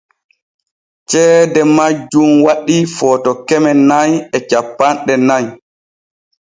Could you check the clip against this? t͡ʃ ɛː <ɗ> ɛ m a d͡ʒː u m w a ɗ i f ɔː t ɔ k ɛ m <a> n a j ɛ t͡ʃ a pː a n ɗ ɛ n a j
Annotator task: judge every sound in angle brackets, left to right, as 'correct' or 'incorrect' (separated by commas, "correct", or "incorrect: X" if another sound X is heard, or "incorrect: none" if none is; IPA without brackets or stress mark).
incorrect: d, incorrect: ɛ